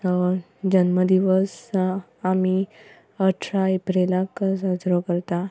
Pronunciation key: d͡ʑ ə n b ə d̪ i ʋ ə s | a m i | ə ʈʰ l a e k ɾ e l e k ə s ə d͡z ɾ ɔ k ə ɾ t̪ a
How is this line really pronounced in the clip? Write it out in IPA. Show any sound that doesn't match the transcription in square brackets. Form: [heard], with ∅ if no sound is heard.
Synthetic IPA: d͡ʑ ə n [m] ə d̪ i ʋ ə s | a m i | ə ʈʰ [ɾ] a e [p] ɾ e l [a] k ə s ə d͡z ɾ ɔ k ə ɾ t̪ a

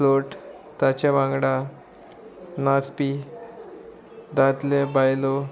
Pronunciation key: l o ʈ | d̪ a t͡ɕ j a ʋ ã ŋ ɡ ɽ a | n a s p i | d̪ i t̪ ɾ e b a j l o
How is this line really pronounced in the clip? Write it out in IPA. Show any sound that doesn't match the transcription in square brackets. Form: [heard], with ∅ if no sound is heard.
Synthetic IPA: l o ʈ | [t̪] a t͡ɕ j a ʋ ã ŋ ɡ ɽ a | n a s p i | d̪ [a] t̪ [l] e b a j l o

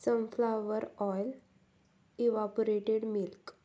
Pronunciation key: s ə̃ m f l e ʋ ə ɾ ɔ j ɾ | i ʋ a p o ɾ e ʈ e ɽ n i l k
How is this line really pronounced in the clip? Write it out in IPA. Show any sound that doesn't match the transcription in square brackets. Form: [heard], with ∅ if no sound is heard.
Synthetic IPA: s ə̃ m f l [a] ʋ ə ɾ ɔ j [l] | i ʋ a p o ɾ e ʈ e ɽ [m] i l k

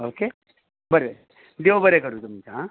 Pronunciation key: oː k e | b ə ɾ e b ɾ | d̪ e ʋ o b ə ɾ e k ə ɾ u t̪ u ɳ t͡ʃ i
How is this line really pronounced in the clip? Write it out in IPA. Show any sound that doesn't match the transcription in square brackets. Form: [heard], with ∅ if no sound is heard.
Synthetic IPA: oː k e | b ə ɾ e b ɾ | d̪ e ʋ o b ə ɾ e k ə ɾ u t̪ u [m] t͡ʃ [a]

